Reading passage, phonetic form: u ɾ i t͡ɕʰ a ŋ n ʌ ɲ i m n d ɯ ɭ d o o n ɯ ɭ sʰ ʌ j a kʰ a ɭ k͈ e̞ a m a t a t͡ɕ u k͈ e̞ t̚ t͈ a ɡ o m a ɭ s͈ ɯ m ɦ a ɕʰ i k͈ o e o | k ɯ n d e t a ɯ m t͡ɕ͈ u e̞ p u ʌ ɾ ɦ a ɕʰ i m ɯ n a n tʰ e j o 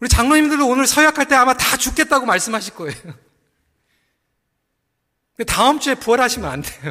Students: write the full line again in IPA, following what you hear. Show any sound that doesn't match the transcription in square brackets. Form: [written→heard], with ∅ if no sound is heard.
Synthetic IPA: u ɾ i [t͡ɕʰ→t͡ɕ] a ŋ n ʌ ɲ i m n d ɯ ɭ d o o n ɯ ɭ sʰ ʌ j a kʰ a ɭ [k͈→t͈] e̞ a m a t a t͡ɕ u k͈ e̞ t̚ t͈ a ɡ o m a ɭ s͈ ɯ m ɦ a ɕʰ i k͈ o e o | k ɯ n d e t a ɯ m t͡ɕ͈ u e̞ p u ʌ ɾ ɦ a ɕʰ i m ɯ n a n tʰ e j o